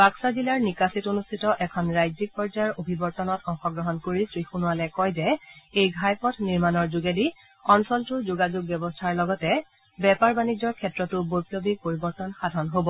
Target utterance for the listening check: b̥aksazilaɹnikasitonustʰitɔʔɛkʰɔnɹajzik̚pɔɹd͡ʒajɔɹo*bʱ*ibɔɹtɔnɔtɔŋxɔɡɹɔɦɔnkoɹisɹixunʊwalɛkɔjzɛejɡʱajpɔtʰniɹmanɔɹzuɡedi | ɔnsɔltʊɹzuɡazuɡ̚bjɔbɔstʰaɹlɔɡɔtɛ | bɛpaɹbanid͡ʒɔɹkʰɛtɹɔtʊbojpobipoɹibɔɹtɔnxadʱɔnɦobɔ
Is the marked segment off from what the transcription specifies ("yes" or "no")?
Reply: no